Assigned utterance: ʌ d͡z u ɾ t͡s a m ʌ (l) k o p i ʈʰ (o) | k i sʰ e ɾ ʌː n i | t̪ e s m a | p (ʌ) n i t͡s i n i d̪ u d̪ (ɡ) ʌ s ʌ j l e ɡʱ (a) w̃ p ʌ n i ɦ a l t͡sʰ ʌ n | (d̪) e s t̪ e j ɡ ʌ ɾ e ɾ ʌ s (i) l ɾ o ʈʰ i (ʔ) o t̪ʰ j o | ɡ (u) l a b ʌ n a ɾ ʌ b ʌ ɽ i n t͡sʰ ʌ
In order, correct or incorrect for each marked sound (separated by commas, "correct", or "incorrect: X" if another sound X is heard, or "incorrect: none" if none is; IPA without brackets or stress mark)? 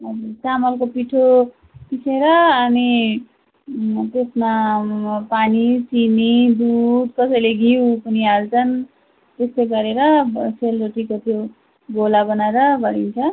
correct, correct, incorrect: a, incorrect: k, incorrect: i, incorrect: t̪, incorrect: e, incorrect: k, incorrect: o